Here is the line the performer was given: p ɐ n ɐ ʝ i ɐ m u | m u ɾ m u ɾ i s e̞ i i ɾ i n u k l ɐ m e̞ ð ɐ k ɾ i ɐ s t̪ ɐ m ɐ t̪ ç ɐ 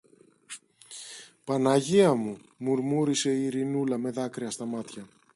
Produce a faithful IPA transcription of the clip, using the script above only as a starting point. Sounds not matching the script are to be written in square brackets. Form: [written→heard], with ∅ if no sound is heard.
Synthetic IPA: p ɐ n ɐ ʝ i ɐ m u | m u ɾ m u ɾ i s e̞ i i ɾ i n u [k→∅] l ɐ m e̞ ð ɐ k ɾ i ɐ s t̪ ɐ m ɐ t̪ ç ɐ